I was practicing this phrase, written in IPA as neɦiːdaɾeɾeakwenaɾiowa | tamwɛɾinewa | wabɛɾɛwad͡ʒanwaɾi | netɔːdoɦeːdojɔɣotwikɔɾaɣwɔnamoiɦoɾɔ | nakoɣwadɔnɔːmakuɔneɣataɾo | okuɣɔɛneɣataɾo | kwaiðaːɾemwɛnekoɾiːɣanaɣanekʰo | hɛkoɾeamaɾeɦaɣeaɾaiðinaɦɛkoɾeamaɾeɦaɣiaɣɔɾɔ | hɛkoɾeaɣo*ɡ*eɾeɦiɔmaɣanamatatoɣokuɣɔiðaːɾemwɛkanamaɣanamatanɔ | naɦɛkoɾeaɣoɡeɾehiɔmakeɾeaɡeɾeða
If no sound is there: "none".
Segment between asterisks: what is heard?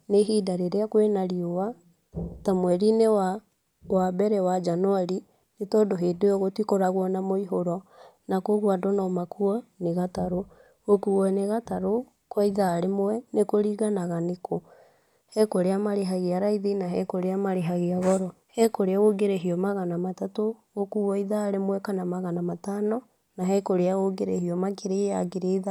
ɡ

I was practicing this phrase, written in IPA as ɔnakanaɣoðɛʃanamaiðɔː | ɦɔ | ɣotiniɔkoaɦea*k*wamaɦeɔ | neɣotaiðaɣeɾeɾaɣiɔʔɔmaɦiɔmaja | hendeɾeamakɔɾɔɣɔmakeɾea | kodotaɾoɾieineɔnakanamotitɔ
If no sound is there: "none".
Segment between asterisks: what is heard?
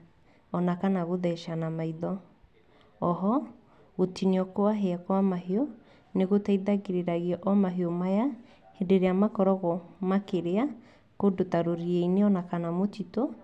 k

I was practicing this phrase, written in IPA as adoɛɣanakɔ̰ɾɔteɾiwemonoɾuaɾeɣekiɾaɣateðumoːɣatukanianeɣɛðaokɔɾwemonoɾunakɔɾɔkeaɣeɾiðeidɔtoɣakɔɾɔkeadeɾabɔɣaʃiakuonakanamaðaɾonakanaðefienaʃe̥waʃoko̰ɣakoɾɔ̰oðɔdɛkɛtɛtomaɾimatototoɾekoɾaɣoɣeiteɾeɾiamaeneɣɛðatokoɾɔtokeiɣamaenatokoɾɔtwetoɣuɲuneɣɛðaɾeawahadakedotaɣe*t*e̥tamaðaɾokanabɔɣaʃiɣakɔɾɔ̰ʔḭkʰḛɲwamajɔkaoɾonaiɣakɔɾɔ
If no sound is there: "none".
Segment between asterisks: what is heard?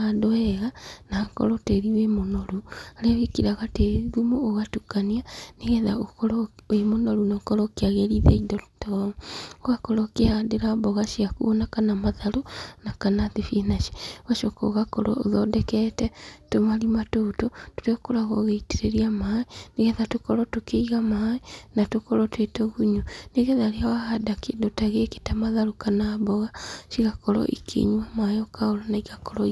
k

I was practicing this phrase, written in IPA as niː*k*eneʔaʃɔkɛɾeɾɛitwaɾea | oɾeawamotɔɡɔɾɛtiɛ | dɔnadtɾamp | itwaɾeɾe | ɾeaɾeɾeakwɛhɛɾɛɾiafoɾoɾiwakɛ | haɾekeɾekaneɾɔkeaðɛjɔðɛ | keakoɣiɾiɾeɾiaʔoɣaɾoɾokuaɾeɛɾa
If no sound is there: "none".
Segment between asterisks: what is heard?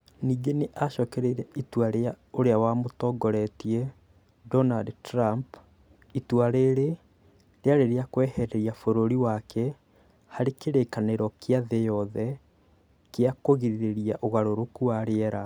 ɡ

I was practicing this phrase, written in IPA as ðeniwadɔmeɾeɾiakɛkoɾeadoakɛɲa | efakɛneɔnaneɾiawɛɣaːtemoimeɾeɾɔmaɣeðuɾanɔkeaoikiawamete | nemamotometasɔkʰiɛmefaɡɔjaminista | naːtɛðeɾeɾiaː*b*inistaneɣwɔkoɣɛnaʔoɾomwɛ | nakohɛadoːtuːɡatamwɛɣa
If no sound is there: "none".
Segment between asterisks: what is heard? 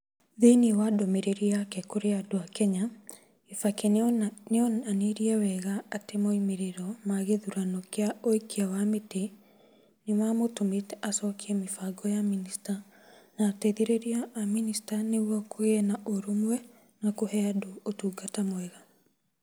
m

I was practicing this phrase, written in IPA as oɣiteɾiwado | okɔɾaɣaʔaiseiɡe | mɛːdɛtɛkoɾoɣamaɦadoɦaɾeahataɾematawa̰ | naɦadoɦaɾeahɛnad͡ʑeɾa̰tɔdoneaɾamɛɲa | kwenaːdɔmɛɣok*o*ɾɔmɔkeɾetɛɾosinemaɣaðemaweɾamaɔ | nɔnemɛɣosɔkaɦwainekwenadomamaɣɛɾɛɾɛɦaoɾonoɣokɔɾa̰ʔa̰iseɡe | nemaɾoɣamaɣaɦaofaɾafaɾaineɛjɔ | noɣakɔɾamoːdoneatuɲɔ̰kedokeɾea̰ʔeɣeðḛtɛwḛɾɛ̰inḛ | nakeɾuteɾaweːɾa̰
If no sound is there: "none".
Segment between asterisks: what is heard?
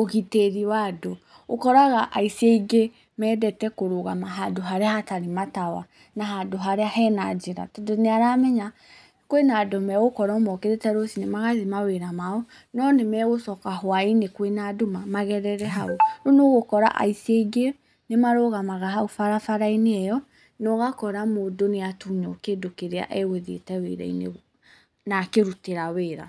ɔ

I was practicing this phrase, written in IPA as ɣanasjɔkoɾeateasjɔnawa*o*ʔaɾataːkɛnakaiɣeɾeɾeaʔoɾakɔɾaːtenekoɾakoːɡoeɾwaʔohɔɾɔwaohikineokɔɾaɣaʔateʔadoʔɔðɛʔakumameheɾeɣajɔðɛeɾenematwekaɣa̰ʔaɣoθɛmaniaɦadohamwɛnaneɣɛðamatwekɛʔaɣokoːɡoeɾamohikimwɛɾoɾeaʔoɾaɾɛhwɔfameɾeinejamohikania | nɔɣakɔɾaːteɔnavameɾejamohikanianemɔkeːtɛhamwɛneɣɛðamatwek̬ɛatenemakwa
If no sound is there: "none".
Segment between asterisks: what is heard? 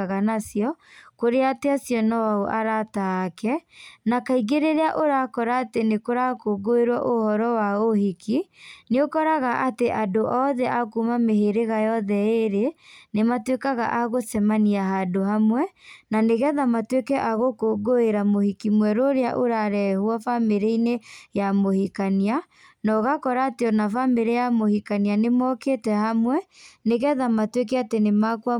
o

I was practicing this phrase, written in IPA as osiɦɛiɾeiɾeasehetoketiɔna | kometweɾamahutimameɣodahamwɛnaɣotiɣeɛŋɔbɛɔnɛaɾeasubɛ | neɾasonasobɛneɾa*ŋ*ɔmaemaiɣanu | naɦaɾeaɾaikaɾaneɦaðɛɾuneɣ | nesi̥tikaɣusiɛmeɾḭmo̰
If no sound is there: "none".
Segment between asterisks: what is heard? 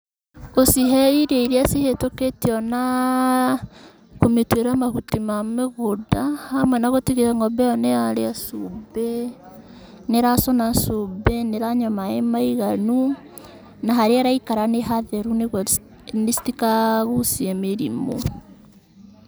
ɲ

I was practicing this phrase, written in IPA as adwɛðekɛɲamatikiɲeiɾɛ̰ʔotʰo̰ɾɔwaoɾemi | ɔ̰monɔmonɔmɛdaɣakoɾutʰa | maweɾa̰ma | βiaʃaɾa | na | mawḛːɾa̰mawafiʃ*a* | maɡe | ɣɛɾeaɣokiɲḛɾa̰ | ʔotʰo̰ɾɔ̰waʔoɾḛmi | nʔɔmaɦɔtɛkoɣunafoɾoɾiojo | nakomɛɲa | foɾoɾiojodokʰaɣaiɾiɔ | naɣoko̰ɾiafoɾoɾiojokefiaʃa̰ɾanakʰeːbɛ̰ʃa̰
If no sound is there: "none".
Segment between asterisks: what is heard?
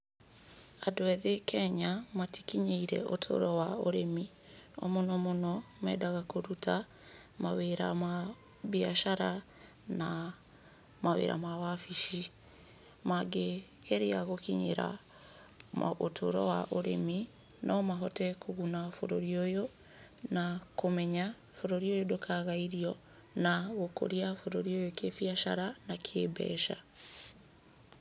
i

